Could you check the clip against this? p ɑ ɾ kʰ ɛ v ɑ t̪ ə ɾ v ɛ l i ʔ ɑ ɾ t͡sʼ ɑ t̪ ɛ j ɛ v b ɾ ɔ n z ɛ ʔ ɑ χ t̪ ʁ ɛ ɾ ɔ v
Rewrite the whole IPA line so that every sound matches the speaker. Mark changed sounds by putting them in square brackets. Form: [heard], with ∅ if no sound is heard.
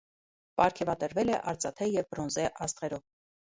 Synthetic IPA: p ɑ ɾ kʰ ɛ v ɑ t̪ ə ɾ v ɛ l [ɛ] ʔ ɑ ɾ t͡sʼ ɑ [t̪ʰ] ɛ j ɛ v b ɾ ɔ n z ɛ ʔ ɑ [s] t̪ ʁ ɛ ɾ ɔ v

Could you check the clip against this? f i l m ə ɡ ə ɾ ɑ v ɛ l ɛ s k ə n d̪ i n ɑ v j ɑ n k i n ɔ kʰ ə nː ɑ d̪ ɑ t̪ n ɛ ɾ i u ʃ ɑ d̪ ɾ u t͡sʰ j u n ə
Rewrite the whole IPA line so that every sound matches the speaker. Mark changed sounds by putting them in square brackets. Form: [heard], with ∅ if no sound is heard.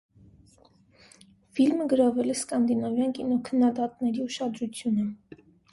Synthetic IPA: f i l m ə ɡ ə ɾ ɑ v ɛ l ɛ s k [ɑ] n d̪ i n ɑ v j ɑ n k i n ɔ kʰ ə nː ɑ d̪ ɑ t̪ n ɛ ɾ i u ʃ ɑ d̪ ɾ u t͡sʰ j u n ə

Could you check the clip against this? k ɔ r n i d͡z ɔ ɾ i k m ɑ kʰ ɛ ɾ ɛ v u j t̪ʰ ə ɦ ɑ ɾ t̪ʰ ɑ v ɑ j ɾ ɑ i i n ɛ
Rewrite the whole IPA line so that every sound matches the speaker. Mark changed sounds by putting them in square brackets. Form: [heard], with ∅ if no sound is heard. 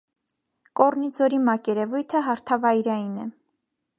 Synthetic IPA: k ɔ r n i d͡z ɔ ɾ i [∅] m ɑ [k] ɛ ɾ ɛ v u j t̪ʰ ə ɦ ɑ ɾ t̪ʰ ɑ v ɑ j ɾ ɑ [j] i n ɛ

